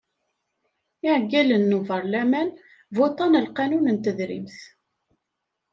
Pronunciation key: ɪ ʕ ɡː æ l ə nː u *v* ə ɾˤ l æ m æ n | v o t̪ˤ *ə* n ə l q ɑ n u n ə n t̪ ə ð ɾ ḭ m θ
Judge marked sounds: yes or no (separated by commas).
yes, no